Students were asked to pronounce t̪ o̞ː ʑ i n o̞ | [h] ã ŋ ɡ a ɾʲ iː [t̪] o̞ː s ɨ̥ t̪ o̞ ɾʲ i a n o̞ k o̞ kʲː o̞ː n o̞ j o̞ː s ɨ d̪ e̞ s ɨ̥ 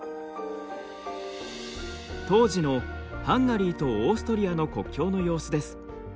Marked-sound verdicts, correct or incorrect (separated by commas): correct, correct